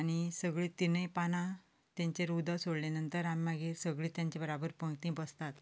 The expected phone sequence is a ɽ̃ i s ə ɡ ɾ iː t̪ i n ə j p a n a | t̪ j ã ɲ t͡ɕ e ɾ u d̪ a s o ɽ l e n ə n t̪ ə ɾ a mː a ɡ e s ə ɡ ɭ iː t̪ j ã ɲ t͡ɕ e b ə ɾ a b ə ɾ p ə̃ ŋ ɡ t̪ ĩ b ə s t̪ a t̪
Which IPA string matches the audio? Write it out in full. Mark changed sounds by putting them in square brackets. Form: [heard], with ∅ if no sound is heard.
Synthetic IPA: a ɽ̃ i s ə ɡ [ɭ] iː t̪ i n ə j p a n a | t̪ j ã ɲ t͡ɕ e ɾ u d̪ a s o ɽ l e n ə n t̪ ə ɾ a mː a ɡ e s ə ɡ ɭ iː t̪ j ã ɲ t͡ɕ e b ə ɾ a b ə ɾ p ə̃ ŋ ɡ t̪ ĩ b ə s t̪ a t̪